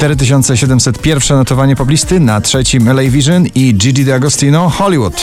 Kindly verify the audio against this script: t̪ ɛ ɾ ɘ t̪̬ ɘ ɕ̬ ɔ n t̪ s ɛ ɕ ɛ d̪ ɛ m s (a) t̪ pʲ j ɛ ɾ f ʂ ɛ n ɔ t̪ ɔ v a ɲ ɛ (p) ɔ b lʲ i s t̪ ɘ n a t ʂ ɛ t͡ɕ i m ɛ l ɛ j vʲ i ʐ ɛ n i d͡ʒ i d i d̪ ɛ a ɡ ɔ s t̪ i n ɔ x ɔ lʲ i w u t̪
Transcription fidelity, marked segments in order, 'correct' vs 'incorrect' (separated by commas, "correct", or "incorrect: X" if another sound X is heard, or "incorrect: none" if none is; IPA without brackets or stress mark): incorrect: ɛ, correct